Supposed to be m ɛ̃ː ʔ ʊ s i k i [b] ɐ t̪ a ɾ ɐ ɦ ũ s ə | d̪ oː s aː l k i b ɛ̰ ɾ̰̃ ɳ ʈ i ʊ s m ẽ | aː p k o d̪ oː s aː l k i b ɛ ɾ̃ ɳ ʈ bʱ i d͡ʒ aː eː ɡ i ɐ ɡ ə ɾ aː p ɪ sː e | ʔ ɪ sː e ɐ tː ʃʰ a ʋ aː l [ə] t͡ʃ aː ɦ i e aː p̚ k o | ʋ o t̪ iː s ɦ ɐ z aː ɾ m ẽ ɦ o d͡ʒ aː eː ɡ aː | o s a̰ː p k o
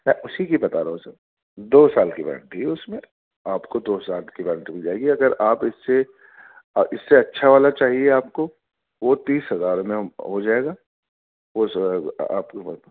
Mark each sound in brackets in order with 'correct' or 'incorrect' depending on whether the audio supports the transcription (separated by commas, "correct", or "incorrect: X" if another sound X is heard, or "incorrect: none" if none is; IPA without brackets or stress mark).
correct, incorrect: a